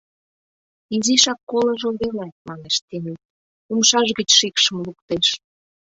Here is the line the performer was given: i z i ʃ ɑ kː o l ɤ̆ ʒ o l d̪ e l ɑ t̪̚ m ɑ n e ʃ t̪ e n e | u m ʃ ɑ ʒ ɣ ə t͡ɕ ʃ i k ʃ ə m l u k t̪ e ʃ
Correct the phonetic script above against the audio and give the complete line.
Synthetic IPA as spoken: i z i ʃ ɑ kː o l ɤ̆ ʒ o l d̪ e l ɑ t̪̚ m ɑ n e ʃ t̪ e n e | u m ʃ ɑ ʒ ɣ ə t͡ɕ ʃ i k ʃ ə m l u k t̪ e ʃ